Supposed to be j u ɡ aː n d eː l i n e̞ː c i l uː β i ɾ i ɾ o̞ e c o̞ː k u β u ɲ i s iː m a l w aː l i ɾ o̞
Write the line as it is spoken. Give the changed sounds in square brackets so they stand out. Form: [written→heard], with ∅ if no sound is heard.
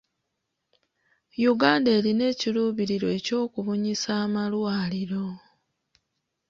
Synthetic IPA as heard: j u ɡ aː n d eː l i n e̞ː c i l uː β i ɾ i ɾ o̞ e c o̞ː k u β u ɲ i s [iː→aː] m a l w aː l i ɾ o̞